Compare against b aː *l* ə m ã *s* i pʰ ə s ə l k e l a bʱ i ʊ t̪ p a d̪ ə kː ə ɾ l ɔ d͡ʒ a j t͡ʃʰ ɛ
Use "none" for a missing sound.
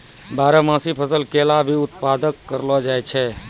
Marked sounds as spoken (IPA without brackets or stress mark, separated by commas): ɾ, s